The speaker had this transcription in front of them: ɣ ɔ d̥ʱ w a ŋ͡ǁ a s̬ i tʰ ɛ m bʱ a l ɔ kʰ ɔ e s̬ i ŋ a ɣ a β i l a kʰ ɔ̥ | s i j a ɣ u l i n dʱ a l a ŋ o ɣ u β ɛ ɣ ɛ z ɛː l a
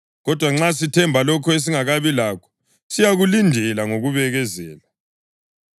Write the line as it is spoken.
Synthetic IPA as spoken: ɣ ɔ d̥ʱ w a ŋ͡ǁ a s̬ i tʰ ɛ m bʱ a l ɔ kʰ ɔ e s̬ i ŋ a ɣ a β i l a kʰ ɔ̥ | s i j a ɣ u l i n dʱ ɛ l a ŋ o ɣ u β ɛ ɣ ɛ z ɛː l a